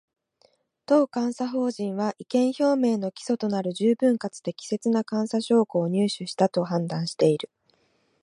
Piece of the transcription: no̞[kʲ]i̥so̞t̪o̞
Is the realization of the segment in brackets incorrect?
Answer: no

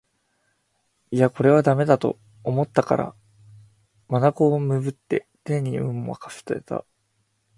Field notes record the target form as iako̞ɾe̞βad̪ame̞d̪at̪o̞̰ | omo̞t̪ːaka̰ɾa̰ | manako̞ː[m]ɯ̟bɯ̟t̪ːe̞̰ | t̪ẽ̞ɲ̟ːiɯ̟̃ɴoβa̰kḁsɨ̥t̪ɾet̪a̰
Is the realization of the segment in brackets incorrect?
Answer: no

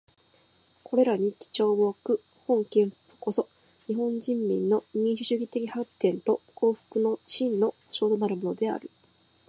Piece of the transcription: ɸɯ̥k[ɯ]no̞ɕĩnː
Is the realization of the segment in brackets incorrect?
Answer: no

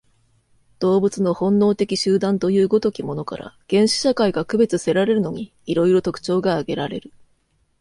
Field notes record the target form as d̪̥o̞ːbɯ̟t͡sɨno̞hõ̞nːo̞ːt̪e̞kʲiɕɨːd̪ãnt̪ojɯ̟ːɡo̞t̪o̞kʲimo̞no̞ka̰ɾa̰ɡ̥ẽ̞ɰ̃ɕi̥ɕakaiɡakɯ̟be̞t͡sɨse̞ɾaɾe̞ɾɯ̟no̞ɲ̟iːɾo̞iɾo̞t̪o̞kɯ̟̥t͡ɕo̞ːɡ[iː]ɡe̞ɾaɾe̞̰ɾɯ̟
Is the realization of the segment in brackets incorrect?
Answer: yes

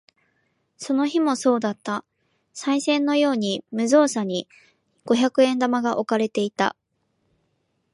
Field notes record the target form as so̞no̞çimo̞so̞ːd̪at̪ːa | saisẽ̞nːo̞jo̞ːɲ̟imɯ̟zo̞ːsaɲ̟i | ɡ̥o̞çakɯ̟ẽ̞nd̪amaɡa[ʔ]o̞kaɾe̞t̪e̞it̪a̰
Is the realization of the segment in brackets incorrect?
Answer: no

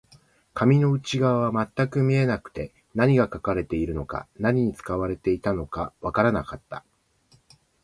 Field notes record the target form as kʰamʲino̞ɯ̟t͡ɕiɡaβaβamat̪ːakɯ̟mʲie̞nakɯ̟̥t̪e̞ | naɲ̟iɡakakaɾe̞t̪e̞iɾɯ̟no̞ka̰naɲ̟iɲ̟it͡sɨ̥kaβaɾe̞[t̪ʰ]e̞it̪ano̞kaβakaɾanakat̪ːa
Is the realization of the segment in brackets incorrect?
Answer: yes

